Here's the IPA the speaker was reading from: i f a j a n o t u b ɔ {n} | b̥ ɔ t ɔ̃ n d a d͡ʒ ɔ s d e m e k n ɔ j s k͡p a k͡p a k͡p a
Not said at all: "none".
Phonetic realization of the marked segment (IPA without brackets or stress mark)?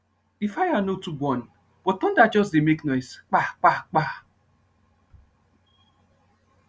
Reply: n